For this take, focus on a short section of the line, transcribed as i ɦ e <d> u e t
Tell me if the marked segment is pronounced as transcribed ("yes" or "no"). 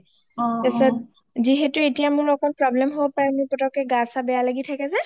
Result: no